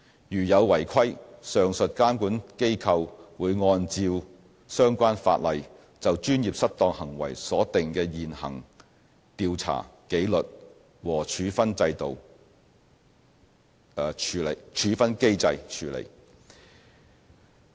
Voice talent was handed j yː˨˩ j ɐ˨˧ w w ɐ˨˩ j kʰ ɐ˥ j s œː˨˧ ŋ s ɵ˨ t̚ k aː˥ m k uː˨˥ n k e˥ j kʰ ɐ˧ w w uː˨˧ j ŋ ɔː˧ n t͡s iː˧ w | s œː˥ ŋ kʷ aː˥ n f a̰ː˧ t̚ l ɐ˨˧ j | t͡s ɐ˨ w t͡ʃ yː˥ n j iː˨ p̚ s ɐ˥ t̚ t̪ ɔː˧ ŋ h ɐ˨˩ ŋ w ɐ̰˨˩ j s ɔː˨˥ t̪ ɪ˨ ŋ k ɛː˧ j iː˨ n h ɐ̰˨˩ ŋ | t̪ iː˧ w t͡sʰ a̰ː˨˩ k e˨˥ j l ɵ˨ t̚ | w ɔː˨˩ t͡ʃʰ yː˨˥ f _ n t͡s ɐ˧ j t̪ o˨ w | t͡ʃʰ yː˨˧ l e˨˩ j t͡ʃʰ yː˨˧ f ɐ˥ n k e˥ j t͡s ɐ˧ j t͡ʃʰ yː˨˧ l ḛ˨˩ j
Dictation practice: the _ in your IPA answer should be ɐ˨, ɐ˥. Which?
ɐ˥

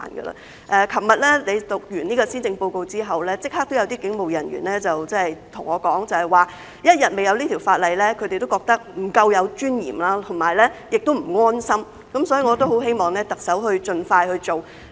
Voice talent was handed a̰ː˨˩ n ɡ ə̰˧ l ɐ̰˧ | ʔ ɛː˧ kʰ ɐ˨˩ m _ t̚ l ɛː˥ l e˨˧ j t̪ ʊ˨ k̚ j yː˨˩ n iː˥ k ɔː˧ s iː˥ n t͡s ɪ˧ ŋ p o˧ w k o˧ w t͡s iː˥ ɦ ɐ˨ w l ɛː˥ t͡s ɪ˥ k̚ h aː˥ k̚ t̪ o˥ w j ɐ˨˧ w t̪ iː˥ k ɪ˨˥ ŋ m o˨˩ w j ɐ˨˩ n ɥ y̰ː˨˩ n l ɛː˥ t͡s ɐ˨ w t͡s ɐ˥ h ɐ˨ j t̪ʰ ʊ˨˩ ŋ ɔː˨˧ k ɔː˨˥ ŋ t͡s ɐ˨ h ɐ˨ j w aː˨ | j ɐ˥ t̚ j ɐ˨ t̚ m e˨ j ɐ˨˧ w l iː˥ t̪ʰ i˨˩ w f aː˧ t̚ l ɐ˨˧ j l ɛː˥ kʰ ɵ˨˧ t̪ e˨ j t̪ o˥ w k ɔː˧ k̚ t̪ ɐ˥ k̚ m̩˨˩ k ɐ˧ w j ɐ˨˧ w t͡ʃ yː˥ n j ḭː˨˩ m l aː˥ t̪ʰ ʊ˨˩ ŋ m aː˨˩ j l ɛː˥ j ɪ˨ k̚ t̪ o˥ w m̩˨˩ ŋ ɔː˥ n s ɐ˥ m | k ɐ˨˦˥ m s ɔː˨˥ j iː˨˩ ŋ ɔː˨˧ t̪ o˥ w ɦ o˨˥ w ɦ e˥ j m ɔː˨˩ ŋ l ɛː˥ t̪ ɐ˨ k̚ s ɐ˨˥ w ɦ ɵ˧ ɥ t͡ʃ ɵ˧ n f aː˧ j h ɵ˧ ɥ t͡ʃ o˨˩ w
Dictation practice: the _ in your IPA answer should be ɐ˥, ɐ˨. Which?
ɐ˨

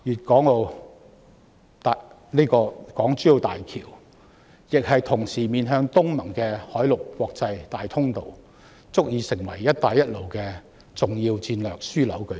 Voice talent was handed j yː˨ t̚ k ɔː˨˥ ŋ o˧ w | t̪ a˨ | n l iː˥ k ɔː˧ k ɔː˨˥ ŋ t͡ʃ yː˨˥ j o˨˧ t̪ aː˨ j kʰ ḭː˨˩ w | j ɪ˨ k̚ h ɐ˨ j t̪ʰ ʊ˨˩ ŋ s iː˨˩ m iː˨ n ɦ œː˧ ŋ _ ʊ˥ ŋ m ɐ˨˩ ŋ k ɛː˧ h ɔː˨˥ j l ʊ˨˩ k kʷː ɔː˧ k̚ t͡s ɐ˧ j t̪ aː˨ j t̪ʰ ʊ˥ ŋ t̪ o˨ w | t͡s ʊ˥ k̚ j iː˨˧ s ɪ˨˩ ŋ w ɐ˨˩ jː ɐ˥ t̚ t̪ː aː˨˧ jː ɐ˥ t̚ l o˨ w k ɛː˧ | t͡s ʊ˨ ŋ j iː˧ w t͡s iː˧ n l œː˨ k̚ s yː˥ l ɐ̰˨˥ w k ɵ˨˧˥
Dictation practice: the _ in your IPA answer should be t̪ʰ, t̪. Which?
t̪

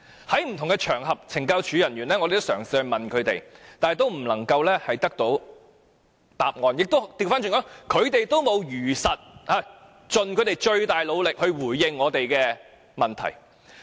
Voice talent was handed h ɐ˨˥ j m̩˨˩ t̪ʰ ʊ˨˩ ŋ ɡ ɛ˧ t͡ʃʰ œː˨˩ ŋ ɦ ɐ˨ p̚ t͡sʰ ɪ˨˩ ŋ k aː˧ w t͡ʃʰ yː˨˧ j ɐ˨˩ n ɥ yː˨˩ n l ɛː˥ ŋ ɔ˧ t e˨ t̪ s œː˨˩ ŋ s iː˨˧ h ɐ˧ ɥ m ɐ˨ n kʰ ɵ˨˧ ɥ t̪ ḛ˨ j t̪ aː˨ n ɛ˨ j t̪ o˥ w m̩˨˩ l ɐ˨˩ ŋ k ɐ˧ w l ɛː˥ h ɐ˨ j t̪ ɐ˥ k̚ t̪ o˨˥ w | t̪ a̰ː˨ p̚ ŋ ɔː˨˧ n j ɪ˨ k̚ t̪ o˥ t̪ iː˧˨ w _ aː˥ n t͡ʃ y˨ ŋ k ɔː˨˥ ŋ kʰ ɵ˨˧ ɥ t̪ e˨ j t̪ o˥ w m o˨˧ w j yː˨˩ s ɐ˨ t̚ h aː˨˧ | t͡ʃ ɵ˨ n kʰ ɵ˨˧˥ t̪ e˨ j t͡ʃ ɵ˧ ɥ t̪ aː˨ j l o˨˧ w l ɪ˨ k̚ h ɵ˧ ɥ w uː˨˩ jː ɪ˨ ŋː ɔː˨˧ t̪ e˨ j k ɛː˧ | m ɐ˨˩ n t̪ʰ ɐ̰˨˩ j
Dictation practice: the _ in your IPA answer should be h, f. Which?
f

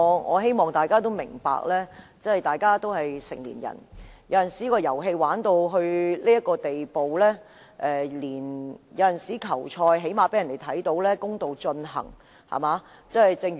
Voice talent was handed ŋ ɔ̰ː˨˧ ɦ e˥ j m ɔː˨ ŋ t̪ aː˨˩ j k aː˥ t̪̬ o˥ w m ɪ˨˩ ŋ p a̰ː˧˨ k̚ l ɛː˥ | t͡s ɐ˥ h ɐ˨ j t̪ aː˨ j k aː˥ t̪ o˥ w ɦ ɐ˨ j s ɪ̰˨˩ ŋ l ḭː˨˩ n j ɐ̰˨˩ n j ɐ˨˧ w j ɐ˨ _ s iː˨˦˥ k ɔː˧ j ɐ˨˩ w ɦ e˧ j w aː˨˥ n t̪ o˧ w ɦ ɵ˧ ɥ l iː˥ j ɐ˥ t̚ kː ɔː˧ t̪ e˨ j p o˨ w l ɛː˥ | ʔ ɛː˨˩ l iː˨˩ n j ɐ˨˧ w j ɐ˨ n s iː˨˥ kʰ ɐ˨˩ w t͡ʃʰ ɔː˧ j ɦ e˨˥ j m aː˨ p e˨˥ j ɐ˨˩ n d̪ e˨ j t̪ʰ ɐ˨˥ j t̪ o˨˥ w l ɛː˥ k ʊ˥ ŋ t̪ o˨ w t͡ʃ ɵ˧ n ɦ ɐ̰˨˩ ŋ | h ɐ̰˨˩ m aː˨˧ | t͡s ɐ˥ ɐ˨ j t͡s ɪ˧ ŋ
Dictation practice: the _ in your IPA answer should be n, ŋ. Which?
n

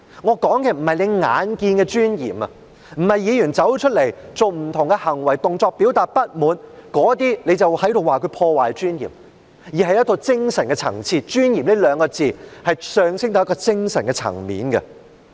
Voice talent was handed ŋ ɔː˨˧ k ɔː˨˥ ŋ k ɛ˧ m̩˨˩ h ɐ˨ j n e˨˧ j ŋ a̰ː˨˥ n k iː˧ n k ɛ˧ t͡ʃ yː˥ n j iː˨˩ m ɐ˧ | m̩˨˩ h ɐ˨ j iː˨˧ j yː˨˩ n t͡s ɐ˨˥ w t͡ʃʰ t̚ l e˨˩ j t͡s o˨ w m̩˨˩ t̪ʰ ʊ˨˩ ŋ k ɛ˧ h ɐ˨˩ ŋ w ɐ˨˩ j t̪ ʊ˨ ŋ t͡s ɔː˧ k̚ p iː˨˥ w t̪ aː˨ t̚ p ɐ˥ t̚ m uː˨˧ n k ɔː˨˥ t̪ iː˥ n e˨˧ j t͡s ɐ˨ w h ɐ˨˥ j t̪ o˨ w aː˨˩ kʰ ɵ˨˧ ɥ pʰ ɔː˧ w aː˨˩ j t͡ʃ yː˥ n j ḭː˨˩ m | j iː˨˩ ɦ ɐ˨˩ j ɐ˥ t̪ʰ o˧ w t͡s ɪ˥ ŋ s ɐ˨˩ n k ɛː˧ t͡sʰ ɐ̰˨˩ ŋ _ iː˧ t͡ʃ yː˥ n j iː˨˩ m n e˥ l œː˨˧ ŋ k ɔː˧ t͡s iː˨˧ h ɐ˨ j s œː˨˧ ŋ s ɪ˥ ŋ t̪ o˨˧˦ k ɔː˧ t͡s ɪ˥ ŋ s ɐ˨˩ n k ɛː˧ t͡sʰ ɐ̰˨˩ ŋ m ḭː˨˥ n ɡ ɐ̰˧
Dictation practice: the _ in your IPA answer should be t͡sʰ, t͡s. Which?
t͡sʰ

